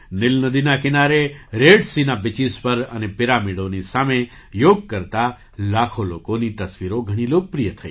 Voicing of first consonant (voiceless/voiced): voiced